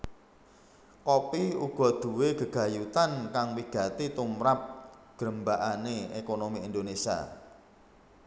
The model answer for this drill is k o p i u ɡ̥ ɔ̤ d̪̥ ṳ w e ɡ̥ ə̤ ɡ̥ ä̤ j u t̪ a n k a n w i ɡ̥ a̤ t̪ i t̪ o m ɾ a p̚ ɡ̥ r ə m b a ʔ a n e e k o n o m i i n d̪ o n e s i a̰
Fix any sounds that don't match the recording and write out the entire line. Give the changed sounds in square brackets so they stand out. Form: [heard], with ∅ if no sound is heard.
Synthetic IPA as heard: k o p i u ɡ̥ ɔ̤ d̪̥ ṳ w e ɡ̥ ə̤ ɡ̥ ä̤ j u t̪ a n k a [ŋ] w i ɡ̥ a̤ t̪ i t̪ [u] m ɾ a p̚ ɡ̥ [ɾ] ə m b a ʔ a n e e k o n o m i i n d̪ o n e s i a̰